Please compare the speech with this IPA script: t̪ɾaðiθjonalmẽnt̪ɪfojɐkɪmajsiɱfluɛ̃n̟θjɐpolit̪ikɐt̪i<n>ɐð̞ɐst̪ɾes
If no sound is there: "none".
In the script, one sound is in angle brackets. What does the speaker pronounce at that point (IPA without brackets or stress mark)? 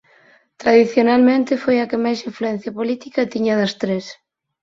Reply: ɲ